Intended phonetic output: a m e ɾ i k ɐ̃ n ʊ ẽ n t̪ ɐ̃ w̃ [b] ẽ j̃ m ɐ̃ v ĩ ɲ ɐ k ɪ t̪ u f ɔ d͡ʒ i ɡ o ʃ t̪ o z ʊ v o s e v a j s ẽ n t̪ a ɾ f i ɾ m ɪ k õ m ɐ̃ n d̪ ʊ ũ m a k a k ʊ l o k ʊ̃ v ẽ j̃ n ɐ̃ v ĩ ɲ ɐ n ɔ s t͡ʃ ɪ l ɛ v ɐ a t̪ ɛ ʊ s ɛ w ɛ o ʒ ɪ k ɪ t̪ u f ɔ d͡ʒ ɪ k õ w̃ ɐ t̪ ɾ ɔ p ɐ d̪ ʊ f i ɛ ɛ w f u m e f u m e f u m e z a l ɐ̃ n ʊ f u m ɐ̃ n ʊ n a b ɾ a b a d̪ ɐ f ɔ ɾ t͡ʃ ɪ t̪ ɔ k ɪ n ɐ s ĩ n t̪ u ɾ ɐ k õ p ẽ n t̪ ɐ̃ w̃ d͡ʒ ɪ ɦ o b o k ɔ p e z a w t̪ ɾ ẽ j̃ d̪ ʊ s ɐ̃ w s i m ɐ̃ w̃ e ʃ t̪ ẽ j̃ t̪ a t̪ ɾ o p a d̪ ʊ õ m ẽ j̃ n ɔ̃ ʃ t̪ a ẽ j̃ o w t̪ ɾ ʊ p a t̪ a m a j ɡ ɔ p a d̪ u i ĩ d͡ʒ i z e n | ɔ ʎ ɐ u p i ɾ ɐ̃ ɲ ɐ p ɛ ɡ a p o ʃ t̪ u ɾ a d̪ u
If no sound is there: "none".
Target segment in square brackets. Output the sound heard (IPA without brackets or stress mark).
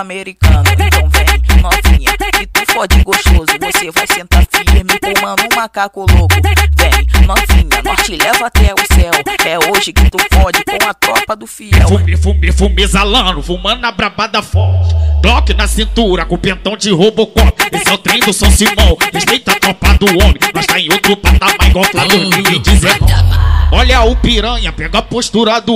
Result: v